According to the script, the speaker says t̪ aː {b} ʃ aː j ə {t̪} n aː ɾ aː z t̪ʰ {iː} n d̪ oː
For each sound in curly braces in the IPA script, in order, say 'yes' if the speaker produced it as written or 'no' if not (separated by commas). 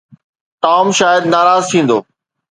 no, no, no